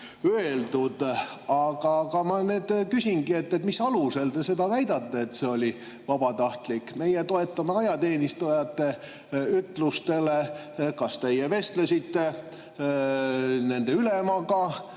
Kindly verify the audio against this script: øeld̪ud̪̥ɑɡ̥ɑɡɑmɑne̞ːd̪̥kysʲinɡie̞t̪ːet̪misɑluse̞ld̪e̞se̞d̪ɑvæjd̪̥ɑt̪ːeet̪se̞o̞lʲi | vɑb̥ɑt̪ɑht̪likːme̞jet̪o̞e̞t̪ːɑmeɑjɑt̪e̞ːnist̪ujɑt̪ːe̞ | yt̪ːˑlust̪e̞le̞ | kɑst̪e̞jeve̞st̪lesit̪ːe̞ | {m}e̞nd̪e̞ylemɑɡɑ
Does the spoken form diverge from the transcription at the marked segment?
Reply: yes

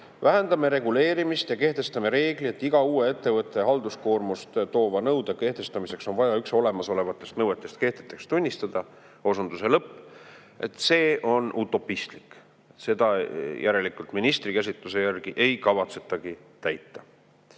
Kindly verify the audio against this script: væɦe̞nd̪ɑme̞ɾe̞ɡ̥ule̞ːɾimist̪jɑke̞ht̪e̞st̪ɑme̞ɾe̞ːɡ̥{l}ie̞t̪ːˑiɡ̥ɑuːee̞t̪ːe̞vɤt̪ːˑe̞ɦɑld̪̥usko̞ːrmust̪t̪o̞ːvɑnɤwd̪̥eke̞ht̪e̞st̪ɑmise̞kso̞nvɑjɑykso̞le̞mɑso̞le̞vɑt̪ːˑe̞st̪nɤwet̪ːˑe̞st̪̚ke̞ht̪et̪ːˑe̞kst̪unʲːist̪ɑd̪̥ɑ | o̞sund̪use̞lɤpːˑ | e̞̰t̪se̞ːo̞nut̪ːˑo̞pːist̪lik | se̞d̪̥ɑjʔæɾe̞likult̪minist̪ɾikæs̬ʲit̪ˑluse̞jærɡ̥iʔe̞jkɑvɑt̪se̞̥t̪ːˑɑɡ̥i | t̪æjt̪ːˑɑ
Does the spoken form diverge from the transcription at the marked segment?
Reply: no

